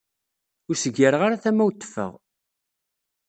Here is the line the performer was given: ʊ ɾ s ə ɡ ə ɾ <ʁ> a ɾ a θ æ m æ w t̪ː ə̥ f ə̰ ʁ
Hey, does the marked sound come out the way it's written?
yes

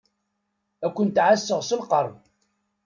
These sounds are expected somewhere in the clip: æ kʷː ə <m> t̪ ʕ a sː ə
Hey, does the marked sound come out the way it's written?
no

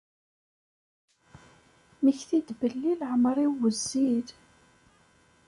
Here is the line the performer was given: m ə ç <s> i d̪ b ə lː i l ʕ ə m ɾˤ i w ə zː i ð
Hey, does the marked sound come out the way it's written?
no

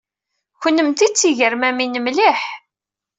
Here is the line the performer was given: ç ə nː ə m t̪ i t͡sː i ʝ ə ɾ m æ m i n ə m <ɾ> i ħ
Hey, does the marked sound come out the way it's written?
no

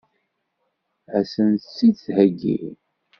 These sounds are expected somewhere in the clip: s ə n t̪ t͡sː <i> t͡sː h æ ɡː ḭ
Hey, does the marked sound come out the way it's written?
yes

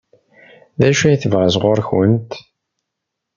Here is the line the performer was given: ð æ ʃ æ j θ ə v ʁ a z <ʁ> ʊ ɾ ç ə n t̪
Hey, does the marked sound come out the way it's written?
yes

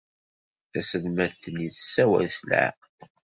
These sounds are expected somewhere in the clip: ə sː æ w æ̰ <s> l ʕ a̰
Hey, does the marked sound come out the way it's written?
yes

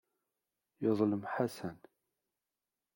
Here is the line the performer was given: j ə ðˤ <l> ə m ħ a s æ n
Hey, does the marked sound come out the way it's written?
yes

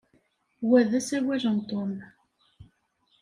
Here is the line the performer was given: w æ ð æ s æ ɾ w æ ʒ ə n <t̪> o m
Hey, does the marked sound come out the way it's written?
yes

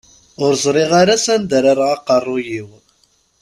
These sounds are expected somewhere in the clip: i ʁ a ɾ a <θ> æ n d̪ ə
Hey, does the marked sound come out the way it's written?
no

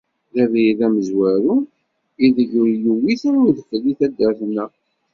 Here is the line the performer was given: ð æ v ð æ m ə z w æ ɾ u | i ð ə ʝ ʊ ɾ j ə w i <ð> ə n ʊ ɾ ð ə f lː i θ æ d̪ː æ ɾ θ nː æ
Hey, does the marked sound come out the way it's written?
no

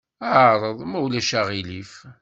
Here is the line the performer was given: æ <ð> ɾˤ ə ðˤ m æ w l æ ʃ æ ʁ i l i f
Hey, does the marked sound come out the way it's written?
no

